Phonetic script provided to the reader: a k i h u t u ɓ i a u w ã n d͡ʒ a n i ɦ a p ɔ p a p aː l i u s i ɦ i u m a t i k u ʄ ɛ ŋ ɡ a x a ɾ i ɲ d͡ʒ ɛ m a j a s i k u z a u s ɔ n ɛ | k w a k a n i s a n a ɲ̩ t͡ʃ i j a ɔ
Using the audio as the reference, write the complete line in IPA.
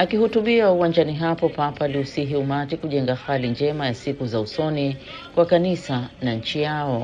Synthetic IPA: a k i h u t u ɓ i a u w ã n d͡ʒ a n i ɦ a p ɔ p a p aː l i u s i ɦ i u m a t i k u ʄ ɛ ŋ ɡ a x a l i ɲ d͡ʒ ɛ m a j a s i k u z a u s ɔ n i | k w a k a n i s a n a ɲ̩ t͡ʃ i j a ɔ